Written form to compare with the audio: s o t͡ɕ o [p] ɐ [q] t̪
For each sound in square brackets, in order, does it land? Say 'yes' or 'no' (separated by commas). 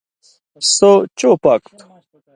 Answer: yes, no